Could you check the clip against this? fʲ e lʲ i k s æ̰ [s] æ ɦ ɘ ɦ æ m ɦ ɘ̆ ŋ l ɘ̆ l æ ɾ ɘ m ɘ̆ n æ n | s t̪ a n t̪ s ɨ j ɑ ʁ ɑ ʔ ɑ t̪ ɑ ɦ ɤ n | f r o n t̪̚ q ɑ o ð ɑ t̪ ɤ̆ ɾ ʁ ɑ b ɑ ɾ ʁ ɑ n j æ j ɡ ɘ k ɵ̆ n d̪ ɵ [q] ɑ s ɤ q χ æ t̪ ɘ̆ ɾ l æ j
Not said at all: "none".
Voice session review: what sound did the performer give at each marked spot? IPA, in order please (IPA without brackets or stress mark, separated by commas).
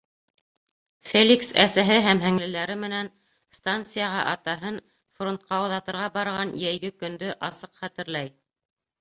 s, ʔ